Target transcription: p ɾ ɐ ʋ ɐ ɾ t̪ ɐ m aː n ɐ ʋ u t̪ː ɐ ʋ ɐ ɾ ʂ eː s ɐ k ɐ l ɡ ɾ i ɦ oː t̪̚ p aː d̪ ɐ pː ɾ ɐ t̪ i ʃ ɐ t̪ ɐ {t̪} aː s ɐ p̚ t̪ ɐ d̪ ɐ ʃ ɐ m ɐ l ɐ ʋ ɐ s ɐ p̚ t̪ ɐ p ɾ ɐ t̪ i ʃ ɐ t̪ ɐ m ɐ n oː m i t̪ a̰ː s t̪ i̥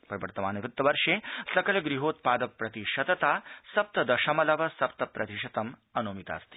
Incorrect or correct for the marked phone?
correct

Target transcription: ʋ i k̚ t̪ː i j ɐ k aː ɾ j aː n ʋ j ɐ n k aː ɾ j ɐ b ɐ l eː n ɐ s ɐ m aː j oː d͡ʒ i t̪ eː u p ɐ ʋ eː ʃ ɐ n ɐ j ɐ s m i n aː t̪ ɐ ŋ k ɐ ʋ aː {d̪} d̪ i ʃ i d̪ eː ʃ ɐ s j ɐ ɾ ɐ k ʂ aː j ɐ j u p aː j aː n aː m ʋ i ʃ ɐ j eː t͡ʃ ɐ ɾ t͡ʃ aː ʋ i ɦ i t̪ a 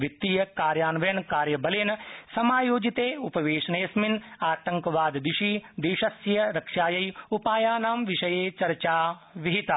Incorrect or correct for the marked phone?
correct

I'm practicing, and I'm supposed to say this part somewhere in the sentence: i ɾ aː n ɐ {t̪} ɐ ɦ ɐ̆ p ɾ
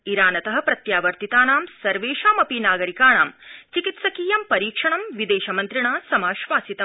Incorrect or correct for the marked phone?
correct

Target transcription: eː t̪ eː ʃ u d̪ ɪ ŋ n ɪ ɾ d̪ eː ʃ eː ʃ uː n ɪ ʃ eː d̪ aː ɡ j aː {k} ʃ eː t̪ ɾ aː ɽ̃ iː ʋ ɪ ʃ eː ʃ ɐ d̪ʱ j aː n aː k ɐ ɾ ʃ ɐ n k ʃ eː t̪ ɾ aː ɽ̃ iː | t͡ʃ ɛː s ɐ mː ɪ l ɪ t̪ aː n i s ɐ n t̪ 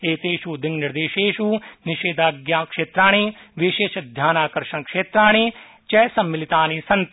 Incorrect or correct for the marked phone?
correct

